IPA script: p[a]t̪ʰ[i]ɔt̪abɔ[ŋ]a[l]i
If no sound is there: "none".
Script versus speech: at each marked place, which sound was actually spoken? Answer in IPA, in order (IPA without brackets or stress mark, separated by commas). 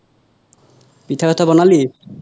i, a, n, l